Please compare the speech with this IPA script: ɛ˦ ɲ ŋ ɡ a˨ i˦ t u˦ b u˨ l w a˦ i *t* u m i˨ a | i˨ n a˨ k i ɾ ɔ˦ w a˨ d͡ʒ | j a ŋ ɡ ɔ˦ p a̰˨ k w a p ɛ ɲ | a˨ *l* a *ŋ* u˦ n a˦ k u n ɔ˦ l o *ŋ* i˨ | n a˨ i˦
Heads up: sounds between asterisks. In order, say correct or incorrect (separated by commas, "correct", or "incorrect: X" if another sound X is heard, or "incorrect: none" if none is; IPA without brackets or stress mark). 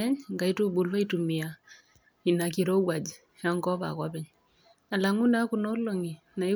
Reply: correct, correct, correct, correct